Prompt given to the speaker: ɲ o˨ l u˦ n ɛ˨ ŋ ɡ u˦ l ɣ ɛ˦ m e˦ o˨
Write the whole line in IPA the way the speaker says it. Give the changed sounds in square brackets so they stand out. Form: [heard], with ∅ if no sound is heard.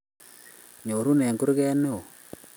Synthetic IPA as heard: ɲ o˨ [ɾ] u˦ n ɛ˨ ŋ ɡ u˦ [ɾ] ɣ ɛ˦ [n] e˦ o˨